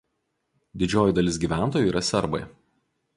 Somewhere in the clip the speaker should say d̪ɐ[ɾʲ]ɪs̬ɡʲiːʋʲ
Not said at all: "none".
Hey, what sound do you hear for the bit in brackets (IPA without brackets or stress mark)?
lʲ